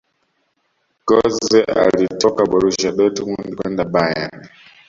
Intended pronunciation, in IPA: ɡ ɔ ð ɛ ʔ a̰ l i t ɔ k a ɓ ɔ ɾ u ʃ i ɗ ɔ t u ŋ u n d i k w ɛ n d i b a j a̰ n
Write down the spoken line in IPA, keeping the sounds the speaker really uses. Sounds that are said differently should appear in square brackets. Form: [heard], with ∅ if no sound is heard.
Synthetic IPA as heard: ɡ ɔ [z] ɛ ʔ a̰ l i t ɔ k a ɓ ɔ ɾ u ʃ [a] ɗ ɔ t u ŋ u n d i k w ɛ n d [a] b a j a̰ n